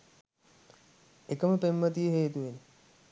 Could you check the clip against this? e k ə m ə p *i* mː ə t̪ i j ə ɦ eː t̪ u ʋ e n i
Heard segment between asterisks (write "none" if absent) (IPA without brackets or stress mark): e